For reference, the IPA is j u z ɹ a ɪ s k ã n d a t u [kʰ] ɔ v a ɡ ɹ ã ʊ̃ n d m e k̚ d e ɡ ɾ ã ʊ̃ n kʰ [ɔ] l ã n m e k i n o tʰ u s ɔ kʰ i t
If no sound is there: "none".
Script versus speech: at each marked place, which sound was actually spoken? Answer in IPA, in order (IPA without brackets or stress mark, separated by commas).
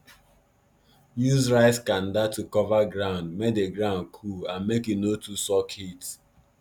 k, u